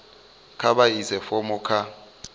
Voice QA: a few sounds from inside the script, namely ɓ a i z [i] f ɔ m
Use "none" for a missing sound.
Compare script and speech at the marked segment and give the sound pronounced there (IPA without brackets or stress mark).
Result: ɛ